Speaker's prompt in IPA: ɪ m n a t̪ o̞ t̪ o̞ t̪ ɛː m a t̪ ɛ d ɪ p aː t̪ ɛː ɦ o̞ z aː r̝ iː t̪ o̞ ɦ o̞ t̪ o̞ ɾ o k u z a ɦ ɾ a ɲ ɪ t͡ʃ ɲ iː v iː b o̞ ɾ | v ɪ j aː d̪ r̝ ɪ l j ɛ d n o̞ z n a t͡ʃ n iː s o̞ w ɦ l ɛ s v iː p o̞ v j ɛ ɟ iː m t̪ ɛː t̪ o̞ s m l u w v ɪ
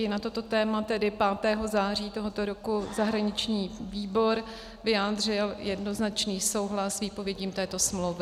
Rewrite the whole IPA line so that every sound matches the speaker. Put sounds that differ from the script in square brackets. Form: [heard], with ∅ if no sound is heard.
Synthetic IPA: ɪ [∅] n a t̪ o̞ t̪ o̞ t̪ ɛː m a t̪ ɛ d ɪ p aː t̪ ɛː ɦ o̞ z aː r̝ iː t̪ o̞ ɦ o̞ t̪ o̞ ɾ o k u z a ɦ ɾ a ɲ ɪ t͡ʃ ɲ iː v iː b o̞ ɾ | v ɪ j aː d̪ r̝ ɪ l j ɛ d n o̞ z n a t͡ʃ n iː s o̞ w ɦ l [a] s v iː p o̞ v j ɛ ɟ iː m t̪ ɛː t̪ o̞ s m l [o] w v ɪ